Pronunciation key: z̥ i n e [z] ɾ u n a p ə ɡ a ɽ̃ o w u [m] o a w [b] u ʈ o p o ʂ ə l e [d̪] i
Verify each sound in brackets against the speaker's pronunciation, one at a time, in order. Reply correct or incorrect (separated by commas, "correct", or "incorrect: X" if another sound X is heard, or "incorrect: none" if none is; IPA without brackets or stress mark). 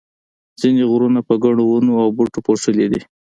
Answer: incorrect: ɣ, incorrect: n, correct, correct